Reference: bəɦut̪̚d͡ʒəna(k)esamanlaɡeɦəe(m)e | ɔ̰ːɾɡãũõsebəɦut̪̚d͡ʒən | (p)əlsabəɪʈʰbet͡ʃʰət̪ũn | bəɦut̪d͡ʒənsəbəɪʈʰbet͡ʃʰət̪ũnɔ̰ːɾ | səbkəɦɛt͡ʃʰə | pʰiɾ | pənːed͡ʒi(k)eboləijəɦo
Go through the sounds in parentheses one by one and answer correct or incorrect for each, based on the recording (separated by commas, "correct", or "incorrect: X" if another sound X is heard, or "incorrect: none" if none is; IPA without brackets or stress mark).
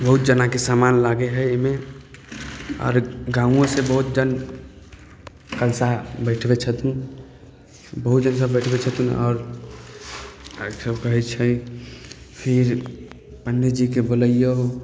correct, correct, incorrect: k, correct